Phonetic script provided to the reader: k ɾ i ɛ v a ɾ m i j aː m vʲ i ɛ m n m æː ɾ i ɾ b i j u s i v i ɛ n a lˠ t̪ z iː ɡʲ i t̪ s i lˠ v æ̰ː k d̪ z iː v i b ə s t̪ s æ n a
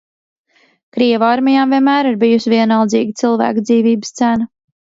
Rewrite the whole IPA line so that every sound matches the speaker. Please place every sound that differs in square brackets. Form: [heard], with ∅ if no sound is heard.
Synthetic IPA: k ɾ i ɛ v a ɾ m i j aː m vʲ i ɛ [∅] n m æː ɾ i ɾ b i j u s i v i ɛ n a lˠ [d̪] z iː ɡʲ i t̪ s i lˠ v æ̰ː k d̪ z iː v [iː] b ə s t̪ s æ n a